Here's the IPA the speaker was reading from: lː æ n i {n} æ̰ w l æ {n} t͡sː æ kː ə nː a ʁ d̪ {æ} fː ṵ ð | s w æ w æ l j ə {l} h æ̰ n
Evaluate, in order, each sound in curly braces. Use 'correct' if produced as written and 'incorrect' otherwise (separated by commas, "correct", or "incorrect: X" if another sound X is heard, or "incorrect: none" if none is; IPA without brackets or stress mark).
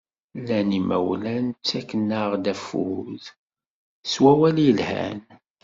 incorrect: m, correct, correct, correct